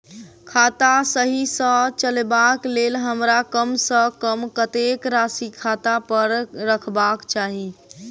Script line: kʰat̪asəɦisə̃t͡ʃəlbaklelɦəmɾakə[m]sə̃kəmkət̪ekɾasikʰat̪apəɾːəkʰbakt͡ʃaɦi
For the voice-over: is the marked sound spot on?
yes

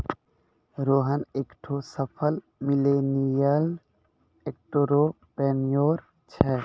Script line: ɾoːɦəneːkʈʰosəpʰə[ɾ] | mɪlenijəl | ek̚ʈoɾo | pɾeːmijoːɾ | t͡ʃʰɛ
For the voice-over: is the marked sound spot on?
no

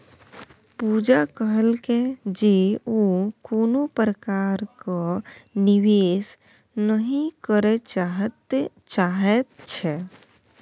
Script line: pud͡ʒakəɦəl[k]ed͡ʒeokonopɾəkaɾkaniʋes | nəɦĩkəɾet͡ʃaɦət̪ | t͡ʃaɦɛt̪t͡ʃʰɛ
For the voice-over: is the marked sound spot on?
yes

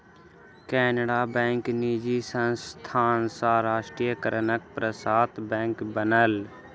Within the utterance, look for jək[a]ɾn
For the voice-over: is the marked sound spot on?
no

